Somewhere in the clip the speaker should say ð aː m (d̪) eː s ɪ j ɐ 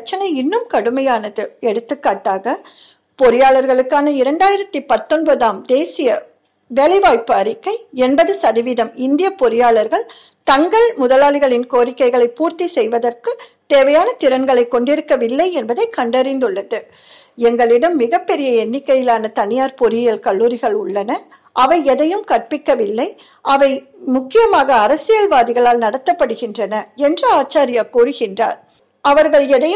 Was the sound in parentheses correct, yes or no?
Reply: yes